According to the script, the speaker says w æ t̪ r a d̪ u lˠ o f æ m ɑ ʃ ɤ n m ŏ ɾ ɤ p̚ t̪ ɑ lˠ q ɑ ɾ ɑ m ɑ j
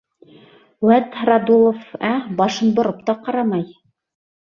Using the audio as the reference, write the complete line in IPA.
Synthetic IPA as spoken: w æ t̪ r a d̪ u lˠ o f æ b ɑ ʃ ɤ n b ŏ ɾ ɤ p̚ t̪ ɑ q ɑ ɾ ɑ m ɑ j